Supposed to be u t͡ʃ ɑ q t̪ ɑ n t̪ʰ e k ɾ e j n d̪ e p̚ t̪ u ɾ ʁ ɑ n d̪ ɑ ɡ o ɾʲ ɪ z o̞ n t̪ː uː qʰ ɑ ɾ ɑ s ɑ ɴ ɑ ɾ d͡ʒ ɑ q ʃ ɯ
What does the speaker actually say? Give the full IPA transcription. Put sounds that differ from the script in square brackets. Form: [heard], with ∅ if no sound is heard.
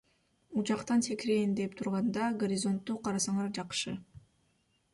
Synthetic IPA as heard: u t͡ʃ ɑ q t̪ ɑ n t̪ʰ e k ɾ e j n d̪ e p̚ [t̪ʰ] u ɾ ʁ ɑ n d̪ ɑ ɡ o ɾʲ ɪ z o̞ n t̪ː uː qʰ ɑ ɾ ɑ s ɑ ɴ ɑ ɾ d͡ʒ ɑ q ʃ ɯ